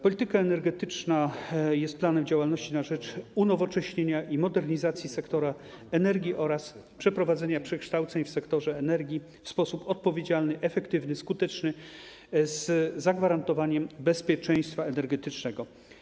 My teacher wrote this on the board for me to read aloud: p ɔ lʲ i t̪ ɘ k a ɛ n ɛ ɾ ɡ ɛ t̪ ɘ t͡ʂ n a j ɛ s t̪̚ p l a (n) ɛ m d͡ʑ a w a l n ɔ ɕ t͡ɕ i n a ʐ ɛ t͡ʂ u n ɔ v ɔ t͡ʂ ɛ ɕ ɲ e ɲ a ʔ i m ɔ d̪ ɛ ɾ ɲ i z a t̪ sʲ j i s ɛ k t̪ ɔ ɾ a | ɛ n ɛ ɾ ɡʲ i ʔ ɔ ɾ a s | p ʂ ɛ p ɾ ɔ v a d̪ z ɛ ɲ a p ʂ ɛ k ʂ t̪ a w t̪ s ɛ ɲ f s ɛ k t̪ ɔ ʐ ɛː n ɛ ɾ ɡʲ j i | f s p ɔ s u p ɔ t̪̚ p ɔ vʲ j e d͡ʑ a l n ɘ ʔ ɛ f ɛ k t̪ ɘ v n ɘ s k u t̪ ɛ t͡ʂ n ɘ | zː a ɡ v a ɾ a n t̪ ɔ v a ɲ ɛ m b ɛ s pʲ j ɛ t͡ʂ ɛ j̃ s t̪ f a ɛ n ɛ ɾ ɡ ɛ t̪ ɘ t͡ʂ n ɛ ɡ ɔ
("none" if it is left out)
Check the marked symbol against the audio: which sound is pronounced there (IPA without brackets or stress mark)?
n